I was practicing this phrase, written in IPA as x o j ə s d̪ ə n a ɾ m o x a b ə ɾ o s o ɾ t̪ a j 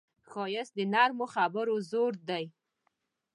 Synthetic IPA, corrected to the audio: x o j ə s d̪ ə n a ɾ m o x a b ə ɾ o z o ɾ d̪ a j